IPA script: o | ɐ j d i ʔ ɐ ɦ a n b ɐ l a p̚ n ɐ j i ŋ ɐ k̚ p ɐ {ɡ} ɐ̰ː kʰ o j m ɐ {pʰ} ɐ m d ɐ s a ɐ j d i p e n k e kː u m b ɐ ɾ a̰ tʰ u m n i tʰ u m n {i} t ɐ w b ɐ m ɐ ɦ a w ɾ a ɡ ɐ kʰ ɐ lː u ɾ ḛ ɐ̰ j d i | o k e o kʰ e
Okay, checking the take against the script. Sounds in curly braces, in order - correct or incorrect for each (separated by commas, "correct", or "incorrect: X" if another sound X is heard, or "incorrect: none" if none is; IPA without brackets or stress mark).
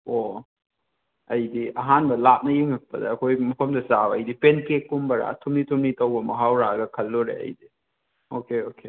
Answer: incorrect: d, correct, correct